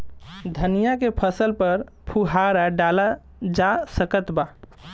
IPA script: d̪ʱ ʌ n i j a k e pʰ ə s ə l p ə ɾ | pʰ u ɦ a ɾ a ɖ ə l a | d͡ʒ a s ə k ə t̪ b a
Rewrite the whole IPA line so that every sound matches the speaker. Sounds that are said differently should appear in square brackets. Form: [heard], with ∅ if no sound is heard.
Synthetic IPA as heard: d̪ʱ [ə] n i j a k e pʰ ə s ə l p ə ɾ | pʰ u ɦ a ɾ a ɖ [a] l a | d͡ʒ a s ə k ə t̪ b a